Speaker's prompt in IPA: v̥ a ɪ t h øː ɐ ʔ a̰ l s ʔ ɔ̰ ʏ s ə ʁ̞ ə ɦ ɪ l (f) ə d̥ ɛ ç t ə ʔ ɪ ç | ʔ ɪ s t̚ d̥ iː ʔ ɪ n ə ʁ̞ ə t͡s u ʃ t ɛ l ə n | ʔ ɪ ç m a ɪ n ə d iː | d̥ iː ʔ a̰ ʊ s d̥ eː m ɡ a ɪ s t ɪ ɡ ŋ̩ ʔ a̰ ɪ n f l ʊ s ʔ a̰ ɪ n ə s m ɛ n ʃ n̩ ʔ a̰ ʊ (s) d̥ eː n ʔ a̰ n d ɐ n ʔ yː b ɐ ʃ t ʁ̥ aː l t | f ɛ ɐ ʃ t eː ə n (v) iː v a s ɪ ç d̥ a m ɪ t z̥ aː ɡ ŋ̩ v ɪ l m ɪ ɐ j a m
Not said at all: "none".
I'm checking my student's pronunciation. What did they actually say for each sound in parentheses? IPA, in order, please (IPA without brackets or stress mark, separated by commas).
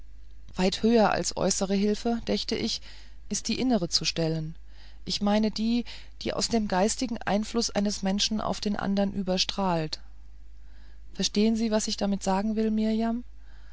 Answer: f, f, z